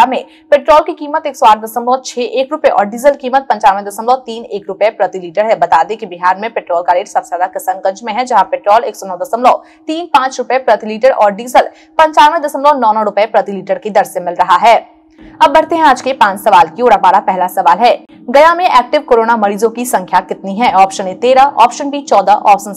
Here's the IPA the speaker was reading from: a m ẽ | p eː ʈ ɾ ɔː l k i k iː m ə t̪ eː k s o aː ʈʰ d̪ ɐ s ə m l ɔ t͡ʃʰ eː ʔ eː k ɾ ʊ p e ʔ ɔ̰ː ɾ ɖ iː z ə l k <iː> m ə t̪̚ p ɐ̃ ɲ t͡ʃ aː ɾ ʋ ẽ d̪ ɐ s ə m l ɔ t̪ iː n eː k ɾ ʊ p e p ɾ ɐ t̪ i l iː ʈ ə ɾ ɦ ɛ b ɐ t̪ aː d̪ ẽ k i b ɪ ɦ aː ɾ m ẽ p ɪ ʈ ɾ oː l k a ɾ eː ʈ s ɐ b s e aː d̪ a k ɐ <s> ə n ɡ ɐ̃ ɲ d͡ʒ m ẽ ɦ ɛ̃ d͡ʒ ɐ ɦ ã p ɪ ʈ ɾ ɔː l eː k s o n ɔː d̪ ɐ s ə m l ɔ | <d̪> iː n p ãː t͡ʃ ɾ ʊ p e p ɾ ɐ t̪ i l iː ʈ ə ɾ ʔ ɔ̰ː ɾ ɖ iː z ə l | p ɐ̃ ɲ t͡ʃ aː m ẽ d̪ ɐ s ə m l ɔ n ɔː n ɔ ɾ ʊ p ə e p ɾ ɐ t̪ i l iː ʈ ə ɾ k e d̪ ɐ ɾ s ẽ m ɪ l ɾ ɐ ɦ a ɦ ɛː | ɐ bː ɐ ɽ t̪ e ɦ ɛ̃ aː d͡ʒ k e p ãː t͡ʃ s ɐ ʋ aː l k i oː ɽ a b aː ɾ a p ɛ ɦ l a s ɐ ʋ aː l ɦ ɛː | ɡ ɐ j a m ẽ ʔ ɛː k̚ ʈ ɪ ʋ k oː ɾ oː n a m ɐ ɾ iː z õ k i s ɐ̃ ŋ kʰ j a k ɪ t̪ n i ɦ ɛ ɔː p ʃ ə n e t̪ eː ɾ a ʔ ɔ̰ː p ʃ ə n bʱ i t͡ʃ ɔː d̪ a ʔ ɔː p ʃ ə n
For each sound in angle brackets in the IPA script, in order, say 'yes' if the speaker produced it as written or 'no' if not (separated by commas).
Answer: yes, yes, no